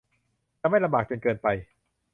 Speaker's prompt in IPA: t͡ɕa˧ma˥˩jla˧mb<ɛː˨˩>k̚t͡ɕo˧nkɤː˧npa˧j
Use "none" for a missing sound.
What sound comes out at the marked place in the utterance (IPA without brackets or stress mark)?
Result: aː˨˩